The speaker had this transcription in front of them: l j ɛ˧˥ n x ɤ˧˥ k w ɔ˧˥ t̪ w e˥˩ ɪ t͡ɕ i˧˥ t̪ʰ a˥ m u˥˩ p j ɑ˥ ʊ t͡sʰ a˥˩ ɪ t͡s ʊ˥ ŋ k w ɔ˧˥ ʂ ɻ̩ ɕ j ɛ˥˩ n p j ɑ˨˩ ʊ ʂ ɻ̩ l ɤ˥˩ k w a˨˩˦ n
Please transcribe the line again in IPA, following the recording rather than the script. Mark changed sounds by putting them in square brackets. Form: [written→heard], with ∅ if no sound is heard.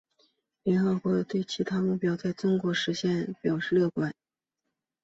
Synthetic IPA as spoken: l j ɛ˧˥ n x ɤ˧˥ k w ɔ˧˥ t̪ w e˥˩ ɪ [t͡ɕ→t͡ɕʰ] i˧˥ t̪ʰ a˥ m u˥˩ p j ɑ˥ ʊ [t͡sʰ→t͡s] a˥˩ ɪ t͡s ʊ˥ ŋ k w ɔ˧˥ ʂ ɻ̩ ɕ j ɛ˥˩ n p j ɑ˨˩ ʊ ʂ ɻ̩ l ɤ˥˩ k w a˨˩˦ n